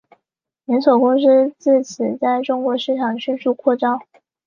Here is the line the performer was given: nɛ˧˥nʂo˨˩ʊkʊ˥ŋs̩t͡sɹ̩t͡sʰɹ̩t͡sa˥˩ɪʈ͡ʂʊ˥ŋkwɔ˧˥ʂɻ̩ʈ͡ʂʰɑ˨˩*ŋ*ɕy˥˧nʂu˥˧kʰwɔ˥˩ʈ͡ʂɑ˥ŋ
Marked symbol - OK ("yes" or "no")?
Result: yes